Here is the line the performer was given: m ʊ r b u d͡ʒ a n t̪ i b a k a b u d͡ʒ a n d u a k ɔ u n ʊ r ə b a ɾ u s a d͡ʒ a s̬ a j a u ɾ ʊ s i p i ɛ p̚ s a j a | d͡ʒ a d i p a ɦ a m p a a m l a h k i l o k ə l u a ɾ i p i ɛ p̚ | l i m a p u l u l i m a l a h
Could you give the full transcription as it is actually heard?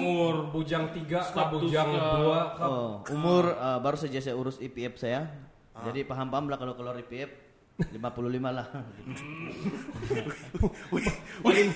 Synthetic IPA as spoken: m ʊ r b u d͡ʒ a ŋ t̪ i ɡ a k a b u d͡ʒ a ŋ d u a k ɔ u m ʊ r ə b a ɾ u s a d͡ʒ a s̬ a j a u ɾ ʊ s i p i ɛ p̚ s a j a | d͡ʒ a d i p a ɦ a m p a a m l a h k a l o k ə l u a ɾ i p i ɛ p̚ | l i m a p u l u l i m a l a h